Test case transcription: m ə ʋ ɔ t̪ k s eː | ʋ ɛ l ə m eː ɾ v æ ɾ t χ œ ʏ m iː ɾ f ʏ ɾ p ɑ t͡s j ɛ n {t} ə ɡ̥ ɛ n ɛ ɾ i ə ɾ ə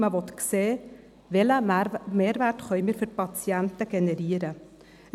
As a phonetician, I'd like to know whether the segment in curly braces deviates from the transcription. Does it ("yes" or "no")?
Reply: no